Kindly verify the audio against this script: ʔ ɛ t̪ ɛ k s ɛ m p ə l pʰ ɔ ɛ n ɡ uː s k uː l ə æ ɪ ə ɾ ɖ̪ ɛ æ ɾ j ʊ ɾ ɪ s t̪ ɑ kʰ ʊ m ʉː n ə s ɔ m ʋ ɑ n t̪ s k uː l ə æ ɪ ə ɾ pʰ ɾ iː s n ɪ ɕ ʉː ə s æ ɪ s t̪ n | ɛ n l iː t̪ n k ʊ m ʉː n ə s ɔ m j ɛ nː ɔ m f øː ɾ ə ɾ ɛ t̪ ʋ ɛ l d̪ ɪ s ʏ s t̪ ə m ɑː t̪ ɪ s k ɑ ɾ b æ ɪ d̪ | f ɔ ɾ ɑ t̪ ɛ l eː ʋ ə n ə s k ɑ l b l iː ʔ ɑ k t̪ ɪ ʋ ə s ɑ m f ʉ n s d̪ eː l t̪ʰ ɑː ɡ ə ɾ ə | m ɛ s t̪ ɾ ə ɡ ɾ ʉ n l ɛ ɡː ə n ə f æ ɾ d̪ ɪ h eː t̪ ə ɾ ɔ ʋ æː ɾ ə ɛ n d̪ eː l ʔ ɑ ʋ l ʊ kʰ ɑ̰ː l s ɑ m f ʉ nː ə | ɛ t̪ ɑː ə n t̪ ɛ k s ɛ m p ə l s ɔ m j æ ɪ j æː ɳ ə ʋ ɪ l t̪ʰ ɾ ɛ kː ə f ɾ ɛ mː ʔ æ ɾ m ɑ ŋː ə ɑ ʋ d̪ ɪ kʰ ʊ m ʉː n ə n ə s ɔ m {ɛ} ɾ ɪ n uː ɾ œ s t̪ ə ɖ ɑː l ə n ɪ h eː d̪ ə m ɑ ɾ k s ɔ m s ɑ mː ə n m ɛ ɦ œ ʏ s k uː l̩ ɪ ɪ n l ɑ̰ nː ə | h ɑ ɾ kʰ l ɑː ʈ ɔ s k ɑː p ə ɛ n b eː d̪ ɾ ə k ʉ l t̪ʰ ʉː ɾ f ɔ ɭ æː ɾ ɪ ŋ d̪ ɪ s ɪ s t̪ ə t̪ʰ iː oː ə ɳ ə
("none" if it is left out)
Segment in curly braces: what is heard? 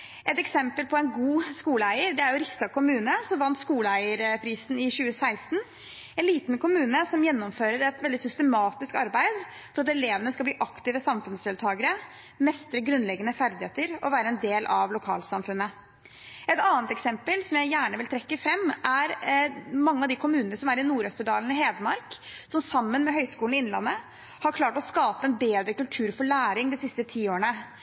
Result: æ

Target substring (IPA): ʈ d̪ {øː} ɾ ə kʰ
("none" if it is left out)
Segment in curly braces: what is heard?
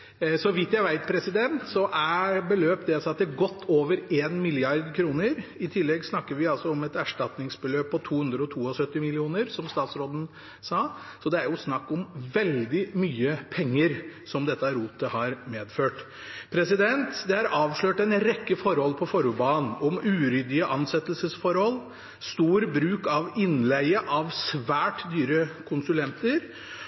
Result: yː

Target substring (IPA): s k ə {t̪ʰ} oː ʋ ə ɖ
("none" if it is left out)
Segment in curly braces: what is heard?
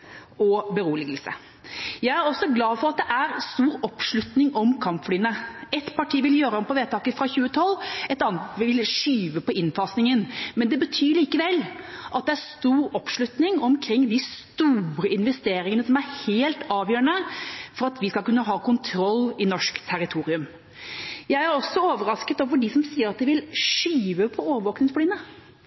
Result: t̪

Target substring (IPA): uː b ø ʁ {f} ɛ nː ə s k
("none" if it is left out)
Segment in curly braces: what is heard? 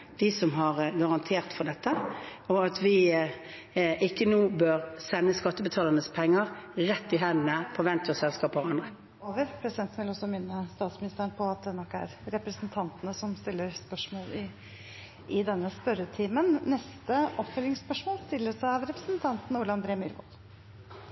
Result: s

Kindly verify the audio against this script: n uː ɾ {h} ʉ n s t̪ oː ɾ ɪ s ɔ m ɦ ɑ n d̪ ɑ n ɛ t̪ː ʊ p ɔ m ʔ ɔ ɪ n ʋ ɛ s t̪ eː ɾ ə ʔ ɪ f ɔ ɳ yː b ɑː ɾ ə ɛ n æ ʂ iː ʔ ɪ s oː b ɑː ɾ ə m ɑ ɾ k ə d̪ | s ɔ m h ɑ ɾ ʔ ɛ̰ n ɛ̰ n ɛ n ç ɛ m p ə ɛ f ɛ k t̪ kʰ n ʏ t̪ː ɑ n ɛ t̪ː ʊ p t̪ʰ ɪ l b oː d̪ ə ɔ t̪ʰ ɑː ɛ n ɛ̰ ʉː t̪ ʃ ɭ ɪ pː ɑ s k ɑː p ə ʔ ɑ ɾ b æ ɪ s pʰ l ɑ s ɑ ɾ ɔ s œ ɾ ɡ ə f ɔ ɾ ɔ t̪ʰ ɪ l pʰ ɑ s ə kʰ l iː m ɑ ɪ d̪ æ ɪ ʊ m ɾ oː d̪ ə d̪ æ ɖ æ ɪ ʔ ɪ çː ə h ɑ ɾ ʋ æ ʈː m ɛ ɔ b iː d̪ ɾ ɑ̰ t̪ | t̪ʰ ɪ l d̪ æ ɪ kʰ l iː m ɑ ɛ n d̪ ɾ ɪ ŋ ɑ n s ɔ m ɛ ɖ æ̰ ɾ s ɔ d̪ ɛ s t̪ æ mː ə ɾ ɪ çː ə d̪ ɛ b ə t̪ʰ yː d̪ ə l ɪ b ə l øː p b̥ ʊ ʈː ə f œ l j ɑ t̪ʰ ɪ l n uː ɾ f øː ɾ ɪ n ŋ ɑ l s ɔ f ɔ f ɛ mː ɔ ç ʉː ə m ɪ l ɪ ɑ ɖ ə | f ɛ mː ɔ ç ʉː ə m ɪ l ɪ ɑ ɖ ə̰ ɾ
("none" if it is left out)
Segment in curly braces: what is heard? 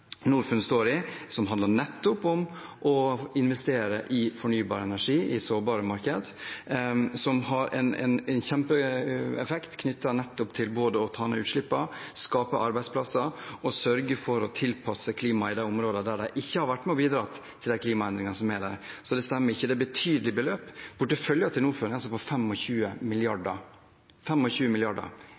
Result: f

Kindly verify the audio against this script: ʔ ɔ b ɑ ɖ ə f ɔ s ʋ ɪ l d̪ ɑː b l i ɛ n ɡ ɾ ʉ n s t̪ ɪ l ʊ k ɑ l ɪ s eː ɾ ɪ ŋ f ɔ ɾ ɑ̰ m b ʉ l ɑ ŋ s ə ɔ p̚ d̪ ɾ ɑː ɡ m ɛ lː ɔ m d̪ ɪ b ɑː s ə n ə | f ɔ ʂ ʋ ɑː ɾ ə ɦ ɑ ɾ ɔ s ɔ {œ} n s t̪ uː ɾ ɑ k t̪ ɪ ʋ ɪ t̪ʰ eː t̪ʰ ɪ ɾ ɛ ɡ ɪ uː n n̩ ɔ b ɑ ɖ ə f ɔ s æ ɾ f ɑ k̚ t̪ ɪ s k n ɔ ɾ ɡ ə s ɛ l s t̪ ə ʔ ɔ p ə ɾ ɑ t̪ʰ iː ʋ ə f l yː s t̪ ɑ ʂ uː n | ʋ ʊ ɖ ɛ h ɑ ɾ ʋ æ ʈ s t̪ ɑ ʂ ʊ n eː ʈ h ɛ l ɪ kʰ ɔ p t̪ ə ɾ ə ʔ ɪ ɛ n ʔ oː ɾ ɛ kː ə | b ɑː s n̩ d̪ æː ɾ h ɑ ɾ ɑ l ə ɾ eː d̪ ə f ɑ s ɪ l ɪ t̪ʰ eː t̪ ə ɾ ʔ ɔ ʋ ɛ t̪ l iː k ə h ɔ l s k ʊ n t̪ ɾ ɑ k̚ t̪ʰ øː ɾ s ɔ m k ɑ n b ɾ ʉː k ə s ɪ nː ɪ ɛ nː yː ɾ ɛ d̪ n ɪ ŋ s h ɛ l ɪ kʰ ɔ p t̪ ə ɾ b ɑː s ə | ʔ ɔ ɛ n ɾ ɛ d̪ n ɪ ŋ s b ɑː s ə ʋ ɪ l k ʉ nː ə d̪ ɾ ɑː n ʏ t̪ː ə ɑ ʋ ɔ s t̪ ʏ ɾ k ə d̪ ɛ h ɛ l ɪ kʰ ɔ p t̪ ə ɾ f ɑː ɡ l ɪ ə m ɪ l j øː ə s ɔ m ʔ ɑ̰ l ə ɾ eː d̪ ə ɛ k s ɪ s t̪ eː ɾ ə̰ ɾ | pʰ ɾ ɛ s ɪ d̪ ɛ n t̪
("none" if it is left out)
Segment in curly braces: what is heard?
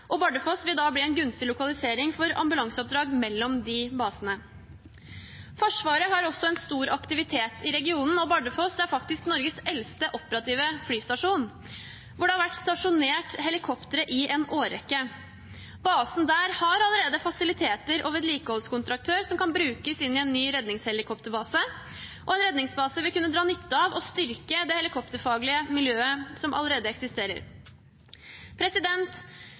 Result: ɛ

